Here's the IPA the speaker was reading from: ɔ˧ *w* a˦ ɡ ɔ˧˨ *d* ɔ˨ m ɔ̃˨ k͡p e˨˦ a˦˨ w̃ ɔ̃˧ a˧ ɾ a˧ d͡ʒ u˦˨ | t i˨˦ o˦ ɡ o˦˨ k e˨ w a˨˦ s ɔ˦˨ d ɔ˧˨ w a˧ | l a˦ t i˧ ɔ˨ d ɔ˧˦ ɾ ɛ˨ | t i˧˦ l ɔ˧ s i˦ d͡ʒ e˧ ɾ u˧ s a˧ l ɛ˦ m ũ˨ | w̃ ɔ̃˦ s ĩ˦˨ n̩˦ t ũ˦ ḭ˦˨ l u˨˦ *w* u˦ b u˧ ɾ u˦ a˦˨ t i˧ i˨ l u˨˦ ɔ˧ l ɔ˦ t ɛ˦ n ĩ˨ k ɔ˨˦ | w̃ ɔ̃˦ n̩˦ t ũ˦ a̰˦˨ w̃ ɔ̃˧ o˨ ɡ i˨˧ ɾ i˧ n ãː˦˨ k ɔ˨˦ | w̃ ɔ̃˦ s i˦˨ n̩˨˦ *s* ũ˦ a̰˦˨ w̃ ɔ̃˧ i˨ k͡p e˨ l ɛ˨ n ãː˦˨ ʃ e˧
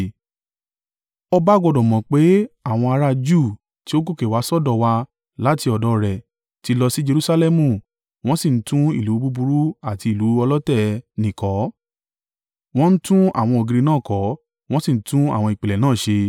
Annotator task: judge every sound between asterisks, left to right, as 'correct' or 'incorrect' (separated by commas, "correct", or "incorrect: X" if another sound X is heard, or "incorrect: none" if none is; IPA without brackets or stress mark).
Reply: incorrect: b, correct, incorrect: b, incorrect: t